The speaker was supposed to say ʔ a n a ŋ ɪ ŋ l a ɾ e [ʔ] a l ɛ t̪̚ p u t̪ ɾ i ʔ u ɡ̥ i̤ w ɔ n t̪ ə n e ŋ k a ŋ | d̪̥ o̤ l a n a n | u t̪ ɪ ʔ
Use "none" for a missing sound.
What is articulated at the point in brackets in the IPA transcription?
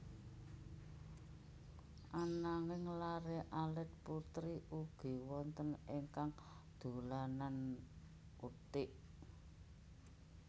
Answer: ʔ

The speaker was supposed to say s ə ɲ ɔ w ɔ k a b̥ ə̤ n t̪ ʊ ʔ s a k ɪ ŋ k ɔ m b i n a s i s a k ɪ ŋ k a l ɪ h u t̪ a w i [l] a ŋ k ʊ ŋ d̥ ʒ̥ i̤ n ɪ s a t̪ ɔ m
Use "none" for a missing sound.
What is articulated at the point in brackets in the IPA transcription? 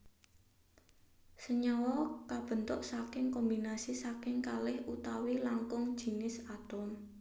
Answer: l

